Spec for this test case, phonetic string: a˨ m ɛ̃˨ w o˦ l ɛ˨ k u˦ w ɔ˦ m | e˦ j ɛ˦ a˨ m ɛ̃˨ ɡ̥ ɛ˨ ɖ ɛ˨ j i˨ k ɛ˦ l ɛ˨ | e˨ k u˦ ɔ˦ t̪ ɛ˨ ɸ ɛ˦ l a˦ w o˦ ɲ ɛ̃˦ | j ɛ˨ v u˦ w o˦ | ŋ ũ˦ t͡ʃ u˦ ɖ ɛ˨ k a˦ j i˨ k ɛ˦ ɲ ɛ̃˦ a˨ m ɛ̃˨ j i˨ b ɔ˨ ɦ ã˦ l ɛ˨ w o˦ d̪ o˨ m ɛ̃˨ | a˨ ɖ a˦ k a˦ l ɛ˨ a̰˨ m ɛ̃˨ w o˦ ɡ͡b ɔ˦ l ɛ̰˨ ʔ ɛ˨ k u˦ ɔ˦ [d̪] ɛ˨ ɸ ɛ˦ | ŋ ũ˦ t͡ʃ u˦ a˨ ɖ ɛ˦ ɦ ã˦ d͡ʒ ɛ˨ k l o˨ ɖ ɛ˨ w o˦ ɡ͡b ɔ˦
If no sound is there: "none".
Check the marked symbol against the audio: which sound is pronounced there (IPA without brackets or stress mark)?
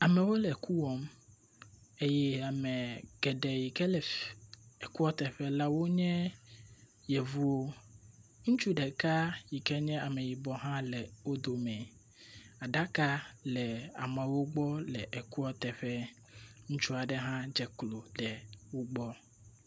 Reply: t̪